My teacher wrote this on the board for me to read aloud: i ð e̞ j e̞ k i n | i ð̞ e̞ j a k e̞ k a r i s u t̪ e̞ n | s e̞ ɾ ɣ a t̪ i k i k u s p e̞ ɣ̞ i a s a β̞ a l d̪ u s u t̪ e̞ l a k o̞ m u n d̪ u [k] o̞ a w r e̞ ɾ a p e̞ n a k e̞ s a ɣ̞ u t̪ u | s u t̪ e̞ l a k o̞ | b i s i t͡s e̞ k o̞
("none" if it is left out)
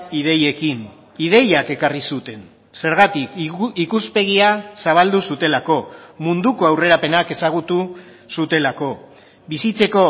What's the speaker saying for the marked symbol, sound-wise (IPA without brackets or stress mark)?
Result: k